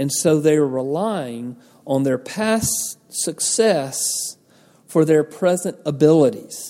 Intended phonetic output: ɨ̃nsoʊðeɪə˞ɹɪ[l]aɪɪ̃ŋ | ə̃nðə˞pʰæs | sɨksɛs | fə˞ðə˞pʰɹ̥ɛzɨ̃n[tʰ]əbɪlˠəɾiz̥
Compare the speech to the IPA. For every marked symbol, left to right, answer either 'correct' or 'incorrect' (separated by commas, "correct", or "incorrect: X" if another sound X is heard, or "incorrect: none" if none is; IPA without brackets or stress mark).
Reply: correct, incorrect: t